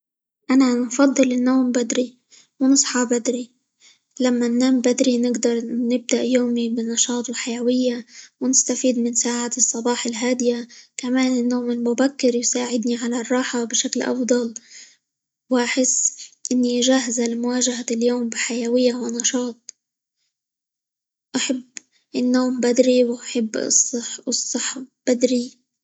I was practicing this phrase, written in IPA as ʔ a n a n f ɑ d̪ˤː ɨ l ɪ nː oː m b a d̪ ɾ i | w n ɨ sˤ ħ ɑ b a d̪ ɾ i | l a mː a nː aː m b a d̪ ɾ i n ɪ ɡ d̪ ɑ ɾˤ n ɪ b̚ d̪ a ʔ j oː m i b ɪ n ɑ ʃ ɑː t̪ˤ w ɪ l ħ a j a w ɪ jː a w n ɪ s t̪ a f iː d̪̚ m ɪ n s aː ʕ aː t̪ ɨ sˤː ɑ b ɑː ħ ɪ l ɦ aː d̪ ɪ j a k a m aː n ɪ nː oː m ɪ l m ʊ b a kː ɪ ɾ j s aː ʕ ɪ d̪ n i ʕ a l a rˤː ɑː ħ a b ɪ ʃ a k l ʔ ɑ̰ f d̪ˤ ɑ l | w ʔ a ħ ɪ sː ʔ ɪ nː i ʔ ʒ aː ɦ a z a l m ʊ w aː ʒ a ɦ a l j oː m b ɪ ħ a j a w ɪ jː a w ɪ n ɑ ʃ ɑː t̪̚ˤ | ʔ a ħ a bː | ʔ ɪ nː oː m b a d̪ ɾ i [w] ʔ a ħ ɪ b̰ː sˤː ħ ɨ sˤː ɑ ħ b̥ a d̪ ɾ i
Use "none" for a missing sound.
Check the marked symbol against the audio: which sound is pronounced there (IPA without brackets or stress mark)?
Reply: w